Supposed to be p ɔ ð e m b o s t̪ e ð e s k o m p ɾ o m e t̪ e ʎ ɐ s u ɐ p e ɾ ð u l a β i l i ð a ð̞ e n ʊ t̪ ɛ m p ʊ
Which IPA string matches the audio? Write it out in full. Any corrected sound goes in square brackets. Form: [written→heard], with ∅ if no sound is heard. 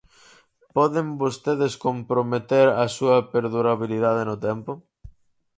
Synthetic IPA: p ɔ ð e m b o s t̪ e ð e s k o m p ɾ o m e t̪ e [ʎ→ɾ] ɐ s u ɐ p e ɾ ð u [l→ɾ] a β i l i ð a ð̞ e n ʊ t̪ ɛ m p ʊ